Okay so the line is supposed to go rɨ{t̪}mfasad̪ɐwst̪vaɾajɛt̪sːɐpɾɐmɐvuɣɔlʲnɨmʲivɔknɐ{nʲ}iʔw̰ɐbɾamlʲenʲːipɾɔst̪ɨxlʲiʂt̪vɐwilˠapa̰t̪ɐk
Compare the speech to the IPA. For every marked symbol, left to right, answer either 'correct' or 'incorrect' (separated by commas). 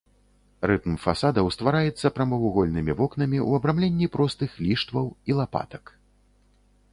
correct, incorrect